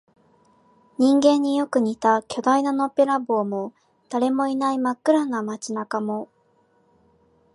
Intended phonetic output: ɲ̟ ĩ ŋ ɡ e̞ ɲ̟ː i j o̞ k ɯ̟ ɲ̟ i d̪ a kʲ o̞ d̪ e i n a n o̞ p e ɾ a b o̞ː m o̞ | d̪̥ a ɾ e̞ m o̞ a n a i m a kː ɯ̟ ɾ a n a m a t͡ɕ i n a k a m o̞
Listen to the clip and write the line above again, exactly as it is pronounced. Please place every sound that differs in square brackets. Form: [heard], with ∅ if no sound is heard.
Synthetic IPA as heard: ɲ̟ ĩ ŋ ɡ [ẽ̞] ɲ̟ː i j o̞ k ɯ̟ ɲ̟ i [t̪] a kʲ o̞ d̪ [a] i n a n o̞ p e ɾ a b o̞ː m o̞ | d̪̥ a ɾ e̞ m o̞ [i] n a i m a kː ɯ̟ ɾ a n a m a t͡ɕ i n a k a m o̞

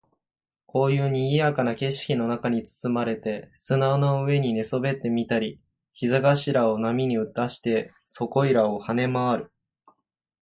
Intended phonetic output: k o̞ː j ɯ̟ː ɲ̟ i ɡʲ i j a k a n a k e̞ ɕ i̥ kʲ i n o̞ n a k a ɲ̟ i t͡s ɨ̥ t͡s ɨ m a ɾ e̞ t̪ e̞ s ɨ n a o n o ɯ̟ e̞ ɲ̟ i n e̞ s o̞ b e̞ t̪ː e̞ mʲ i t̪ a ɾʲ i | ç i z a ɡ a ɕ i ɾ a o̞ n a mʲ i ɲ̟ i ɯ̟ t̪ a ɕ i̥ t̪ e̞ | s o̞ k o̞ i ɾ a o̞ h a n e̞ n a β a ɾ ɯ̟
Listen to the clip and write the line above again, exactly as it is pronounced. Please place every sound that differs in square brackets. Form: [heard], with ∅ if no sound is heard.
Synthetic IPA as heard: k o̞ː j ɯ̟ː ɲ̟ i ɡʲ i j a k a n a k e̞ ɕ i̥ kʲ i n o̞ n a k a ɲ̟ i t͡s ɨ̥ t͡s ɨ m a ɾ e̞ t̪ e̞ s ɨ n a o n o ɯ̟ e̞ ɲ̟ i n e̞ s o̞ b e̞ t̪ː e̞ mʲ i t̪ a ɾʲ i | ç i z a ɡ a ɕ i ɾ a o̞ n a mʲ i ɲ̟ i ɯ̟ t̪ a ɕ i̥ t̪ e̞ | s o̞ k o̞ i ɾ a o̞ h a n e̞ [m] a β a ɾ ɯ̟

